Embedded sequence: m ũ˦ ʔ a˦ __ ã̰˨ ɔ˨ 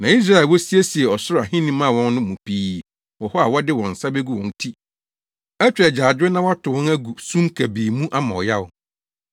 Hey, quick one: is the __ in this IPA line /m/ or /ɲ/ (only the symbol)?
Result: m